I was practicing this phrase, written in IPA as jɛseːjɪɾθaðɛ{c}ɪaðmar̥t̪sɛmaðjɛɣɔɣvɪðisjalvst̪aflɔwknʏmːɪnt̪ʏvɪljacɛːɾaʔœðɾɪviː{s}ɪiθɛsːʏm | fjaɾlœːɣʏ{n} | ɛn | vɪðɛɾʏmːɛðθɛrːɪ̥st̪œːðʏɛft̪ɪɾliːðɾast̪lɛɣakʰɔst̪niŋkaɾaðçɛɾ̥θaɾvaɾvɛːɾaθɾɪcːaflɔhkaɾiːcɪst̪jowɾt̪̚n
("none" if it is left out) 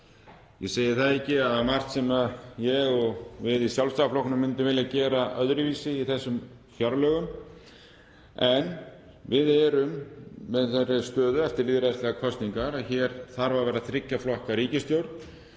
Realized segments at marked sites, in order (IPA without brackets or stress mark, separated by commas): c, s, m